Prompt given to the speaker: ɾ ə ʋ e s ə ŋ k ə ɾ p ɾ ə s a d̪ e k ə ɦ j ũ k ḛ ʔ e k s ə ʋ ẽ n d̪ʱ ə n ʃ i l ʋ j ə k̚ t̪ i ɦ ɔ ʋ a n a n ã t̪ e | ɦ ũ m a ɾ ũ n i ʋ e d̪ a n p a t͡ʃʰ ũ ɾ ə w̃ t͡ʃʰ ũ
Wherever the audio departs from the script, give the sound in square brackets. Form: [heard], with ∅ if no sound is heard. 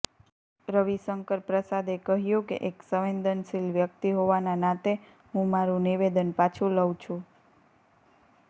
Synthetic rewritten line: ɾ ə ʋ [i] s ə ŋ k ə ɾ p ɾ ə s a d̪ e k ə ɦ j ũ k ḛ ʔ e k s ə ʋ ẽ n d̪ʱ ə n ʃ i l ʋ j ə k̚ t̪ i ɦ [o] ʋ a n a n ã t̪ e | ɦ ũ m a ɾ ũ n i ʋ e d̪ [ə] n p a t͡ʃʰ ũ [l] ə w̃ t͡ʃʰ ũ